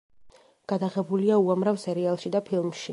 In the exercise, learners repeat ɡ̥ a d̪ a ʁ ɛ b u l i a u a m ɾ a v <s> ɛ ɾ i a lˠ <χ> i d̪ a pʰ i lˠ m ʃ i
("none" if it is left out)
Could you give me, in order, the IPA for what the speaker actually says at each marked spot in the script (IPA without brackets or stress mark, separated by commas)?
s, ʃ